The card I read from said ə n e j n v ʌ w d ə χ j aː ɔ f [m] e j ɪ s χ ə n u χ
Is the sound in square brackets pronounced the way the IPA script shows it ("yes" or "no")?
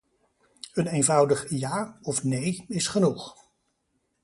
no